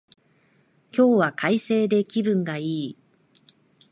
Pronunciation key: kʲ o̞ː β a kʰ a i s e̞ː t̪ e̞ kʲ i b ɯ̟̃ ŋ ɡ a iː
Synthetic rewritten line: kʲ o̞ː β a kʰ a i s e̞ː d̪ e̞ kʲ i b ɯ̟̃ ŋ ɡ a iː